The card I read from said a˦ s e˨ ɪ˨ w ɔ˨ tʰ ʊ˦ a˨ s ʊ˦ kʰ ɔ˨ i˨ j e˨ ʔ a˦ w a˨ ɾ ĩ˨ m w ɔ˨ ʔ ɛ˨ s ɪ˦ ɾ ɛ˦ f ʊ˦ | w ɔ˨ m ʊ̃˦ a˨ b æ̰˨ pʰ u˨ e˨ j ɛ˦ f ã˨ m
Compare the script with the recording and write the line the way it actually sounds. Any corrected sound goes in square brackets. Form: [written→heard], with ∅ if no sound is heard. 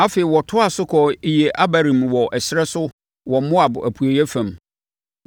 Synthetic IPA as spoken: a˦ [s→f] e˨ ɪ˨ w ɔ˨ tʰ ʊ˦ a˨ s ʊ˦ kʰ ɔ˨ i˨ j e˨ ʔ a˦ [w→b] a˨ ɾ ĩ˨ m w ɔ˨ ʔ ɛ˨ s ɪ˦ ɾ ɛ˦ [f→s] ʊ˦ | w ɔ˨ m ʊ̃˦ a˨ b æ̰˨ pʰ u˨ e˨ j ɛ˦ f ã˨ m